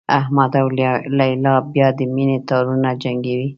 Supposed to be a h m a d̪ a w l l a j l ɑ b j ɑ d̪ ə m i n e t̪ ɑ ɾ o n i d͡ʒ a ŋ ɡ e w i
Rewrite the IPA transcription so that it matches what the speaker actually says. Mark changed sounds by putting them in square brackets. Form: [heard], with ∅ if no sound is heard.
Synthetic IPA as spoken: a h m a d̪ a w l l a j l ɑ b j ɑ d̪ ə m i n e t̪ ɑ ɾ [u] n [a] d͡ʒ a ŋ ɡ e w i